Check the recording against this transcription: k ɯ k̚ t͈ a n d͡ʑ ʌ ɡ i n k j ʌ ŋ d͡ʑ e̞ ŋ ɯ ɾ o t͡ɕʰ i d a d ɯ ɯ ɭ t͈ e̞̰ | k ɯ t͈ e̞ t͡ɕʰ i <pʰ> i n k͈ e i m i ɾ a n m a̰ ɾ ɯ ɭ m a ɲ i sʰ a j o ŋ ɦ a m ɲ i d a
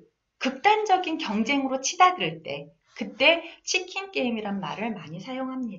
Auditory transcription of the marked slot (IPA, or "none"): kʰ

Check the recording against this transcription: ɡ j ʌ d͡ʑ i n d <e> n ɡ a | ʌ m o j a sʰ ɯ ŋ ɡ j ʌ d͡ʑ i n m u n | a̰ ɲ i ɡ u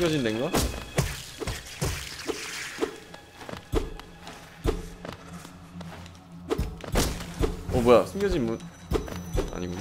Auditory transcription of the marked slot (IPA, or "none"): e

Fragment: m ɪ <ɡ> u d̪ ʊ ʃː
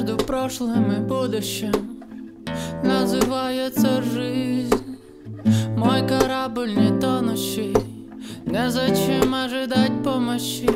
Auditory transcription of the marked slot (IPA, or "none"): b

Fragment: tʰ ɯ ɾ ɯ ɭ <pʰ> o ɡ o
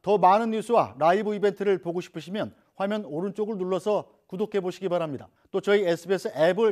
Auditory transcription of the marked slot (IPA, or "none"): p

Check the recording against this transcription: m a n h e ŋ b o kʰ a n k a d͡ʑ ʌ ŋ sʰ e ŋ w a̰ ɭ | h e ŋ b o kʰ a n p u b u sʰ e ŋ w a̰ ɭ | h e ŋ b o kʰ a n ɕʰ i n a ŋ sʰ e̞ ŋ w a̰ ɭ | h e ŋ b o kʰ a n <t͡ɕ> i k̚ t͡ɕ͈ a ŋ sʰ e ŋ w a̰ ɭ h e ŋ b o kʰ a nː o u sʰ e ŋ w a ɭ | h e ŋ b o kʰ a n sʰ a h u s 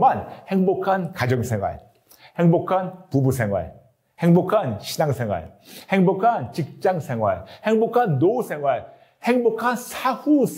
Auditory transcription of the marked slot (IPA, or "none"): t͡ɕ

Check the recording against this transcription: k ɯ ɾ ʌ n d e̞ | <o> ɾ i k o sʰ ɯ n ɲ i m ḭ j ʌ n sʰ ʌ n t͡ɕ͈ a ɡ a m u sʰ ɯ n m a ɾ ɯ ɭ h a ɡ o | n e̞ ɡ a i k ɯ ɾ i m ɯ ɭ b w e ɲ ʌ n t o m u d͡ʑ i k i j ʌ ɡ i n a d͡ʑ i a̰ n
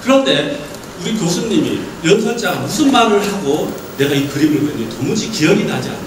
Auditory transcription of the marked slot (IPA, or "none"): u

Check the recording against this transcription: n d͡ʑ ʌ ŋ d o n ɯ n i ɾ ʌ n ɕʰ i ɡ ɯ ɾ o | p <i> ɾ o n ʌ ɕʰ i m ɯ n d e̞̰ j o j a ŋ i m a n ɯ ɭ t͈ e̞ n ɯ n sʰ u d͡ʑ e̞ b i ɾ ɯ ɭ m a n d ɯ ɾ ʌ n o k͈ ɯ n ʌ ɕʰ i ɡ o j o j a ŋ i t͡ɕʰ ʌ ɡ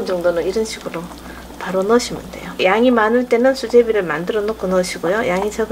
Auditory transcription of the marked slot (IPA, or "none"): a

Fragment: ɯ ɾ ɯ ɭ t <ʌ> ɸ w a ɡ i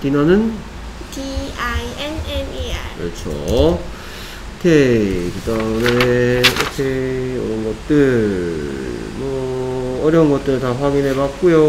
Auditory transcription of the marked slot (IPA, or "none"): a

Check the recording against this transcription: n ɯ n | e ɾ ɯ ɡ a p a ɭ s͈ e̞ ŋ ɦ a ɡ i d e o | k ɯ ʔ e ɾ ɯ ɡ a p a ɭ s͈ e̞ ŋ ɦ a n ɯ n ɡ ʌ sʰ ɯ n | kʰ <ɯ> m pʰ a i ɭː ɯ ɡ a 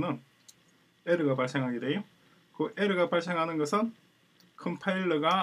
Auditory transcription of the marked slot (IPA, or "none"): ɯ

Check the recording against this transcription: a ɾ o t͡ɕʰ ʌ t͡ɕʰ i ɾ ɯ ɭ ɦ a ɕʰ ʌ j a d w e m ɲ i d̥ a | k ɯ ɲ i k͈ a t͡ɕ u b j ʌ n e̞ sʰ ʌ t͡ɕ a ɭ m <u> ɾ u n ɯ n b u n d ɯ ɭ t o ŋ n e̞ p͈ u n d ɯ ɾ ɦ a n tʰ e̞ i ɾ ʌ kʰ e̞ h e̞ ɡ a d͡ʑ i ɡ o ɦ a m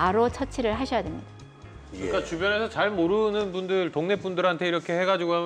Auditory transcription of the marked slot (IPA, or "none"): o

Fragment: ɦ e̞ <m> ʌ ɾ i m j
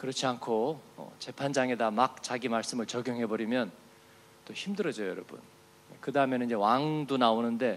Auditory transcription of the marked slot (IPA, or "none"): b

